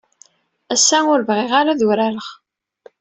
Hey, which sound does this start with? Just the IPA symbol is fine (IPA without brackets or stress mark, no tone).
æ